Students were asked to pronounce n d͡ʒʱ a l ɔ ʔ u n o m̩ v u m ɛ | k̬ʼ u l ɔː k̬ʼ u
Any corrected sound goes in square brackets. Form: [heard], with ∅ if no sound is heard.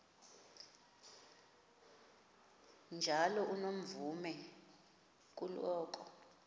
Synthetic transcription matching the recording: n d͡ʒʱ a l ɔ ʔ u n o m̩ v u m ɛ | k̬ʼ u l ɔː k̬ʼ [ɔ]